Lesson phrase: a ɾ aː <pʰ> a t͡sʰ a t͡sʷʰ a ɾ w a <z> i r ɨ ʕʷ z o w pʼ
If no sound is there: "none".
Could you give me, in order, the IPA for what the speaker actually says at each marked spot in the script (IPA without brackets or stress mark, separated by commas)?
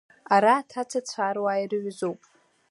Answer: tʰ, none